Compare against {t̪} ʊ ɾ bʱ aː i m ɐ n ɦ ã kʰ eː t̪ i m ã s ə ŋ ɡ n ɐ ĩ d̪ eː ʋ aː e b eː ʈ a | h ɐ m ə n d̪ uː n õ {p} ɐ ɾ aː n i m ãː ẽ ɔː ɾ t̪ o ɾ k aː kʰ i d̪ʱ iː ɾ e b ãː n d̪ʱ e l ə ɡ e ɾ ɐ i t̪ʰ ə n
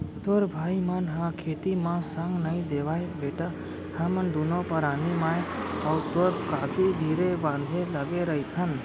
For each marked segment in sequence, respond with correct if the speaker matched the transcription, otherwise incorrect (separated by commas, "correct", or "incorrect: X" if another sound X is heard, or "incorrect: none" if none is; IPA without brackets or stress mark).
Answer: correct, correct